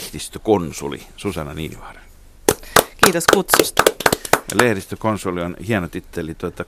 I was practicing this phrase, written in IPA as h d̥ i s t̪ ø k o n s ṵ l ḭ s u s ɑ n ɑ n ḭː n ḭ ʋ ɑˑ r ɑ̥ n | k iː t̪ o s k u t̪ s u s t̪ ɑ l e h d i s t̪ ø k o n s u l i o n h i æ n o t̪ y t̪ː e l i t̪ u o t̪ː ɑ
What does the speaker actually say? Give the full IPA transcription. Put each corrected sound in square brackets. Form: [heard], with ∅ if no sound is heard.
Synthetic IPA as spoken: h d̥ i s t̪ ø k o n s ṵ l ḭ s u s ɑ n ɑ n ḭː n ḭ ʋ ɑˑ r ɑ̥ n | k iː t̪ o s k u t̪ s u s t̪ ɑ l e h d i s t̪ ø k o n s u l i o n h i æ n o t̪ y t̪ː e l i t̪ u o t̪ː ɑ